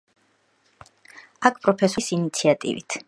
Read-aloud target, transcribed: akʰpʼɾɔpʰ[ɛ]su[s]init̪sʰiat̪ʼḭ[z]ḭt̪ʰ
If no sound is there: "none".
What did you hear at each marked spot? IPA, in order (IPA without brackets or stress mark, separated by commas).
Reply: ɛ, s, v